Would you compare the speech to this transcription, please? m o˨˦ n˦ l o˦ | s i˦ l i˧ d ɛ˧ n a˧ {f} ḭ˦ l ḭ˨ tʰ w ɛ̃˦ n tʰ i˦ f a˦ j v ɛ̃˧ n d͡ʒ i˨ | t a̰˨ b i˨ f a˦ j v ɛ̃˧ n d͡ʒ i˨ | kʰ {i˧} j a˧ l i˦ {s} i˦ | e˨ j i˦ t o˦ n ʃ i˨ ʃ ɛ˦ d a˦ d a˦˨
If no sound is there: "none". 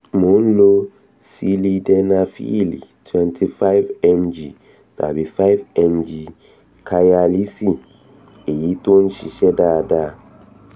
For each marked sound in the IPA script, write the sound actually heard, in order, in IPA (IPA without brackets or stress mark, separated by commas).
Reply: f, a˧, s